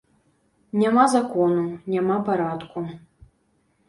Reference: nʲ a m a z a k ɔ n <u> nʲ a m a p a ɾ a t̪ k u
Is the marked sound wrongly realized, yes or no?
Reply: no